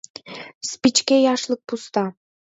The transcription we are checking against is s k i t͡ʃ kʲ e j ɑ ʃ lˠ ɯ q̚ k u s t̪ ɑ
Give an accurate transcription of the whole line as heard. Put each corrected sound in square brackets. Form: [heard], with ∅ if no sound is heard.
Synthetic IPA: s [p] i t͡ʃ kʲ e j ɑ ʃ lˠ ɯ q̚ [p] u s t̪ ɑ